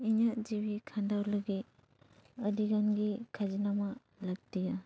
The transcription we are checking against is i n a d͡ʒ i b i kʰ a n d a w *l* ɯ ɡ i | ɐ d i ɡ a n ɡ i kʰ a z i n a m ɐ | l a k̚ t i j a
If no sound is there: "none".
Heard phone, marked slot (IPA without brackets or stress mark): l